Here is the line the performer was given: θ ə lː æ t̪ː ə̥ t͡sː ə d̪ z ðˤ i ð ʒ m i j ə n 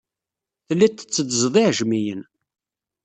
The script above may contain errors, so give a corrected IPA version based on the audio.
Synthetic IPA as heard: θ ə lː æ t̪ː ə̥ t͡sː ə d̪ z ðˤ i ʕ ʒ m i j ə n

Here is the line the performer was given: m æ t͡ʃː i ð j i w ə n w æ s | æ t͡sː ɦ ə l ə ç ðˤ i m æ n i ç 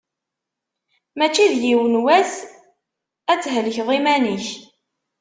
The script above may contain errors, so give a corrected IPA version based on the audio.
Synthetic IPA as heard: m æ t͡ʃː i ð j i w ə n w æ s | æ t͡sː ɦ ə l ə ç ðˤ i m æ n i ç

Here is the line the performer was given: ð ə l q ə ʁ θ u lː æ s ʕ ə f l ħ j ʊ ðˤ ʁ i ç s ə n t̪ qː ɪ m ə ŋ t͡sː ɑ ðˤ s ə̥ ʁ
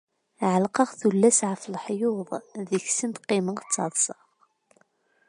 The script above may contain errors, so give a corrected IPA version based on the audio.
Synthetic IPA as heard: ʕ ə l q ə ʁ θ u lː æ s ʕ ə f l ħ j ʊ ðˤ ð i ç s ə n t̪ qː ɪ m ə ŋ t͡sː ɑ ðˤ s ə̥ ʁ

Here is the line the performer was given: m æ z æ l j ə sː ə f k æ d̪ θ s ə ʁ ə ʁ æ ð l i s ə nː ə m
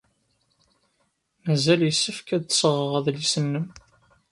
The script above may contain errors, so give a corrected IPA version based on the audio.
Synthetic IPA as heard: m æ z æ l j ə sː ə f k æ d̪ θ s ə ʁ ə ʁ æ ð l i s ə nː ə m

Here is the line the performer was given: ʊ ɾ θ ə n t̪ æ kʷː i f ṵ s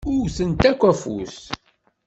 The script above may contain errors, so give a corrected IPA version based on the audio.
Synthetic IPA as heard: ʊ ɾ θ ə n t̪ æ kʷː æ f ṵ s

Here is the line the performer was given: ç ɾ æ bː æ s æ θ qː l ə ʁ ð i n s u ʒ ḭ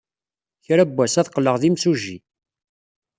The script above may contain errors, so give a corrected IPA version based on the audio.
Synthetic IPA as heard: ç ɾ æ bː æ s æ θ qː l ə ʁ ð i m s u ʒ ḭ

